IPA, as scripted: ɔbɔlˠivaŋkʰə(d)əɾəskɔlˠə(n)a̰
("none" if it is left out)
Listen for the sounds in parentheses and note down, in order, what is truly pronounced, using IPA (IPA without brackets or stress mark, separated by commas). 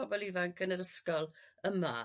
n, m